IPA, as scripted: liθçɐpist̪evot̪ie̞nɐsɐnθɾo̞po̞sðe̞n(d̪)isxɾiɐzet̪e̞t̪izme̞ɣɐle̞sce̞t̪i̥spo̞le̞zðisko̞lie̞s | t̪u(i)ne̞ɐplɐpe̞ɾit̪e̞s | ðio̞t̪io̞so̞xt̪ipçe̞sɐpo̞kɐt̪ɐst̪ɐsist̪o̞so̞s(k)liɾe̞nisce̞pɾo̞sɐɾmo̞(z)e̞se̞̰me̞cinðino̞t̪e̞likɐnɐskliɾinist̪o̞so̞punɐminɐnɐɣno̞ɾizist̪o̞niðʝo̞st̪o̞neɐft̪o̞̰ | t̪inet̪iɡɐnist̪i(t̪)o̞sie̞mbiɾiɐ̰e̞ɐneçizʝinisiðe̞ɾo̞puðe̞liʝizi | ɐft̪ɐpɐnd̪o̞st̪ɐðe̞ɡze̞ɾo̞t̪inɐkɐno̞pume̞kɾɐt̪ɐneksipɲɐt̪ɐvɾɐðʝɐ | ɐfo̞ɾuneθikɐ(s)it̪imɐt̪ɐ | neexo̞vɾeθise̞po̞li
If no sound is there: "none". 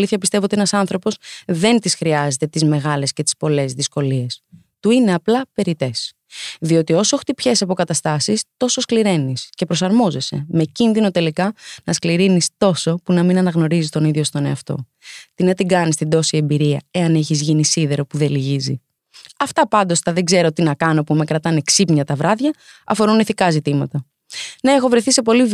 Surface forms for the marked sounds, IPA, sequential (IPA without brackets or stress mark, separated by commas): t̪, i, k, z, d̪, z